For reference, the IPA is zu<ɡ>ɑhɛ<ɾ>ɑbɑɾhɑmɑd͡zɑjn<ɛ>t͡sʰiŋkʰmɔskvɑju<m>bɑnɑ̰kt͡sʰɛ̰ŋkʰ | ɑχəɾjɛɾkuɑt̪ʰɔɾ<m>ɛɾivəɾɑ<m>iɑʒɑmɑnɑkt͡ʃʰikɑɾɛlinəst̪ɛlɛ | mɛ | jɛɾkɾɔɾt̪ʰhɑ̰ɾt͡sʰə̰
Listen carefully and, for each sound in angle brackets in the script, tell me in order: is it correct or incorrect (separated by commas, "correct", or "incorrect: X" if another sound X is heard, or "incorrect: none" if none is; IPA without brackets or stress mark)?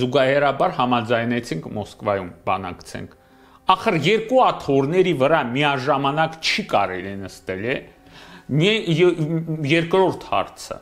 correct, correct, correct, correct, incorrect: n, correct